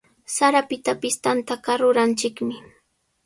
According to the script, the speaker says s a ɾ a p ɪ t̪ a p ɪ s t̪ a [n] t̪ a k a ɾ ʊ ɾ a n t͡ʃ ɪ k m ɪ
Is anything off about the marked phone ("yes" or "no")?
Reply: no